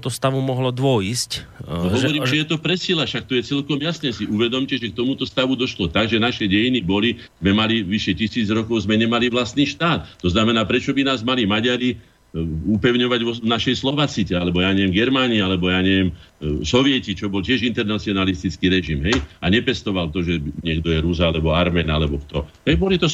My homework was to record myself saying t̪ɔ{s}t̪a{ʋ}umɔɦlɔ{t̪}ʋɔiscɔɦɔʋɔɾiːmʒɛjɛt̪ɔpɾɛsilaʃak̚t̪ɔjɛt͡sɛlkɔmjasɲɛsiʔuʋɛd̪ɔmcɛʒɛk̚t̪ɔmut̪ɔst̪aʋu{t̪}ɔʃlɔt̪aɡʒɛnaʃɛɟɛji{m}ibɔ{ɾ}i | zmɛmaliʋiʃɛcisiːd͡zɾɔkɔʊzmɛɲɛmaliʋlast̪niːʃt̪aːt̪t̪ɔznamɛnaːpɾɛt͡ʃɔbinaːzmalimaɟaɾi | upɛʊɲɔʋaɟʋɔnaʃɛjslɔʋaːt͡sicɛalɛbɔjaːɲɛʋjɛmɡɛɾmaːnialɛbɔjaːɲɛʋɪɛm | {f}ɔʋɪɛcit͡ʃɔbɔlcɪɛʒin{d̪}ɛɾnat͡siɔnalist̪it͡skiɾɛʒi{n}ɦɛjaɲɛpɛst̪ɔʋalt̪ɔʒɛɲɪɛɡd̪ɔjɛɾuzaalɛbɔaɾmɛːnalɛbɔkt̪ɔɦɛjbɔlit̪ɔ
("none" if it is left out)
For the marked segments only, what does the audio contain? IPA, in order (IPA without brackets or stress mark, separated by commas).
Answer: s, ʋ, d̪, d̪, n, l, s, t̪, m